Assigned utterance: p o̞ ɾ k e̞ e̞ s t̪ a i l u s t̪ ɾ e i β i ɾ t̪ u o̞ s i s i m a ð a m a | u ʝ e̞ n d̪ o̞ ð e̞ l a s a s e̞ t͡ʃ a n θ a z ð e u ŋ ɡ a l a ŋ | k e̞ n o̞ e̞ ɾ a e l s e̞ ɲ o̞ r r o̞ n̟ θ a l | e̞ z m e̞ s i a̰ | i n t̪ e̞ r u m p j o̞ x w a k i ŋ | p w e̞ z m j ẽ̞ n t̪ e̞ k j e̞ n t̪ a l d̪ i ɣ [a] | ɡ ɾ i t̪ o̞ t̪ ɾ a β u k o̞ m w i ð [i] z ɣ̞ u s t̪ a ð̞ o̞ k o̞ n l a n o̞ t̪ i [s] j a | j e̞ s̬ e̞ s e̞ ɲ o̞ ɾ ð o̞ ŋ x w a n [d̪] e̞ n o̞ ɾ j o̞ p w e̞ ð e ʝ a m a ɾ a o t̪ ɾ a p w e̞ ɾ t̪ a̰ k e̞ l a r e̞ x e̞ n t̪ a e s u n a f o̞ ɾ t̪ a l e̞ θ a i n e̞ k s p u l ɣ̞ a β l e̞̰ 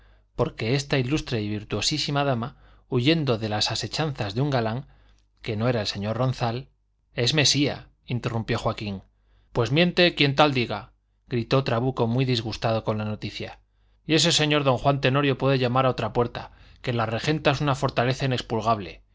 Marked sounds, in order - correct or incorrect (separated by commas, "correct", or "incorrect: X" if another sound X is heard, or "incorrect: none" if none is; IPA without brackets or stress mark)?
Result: correct, correct, incorrect: θ, incorrect: t̪